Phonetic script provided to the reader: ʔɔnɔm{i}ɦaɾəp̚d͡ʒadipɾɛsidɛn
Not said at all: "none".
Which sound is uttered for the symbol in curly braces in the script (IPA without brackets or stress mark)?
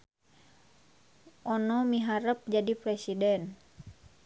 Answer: i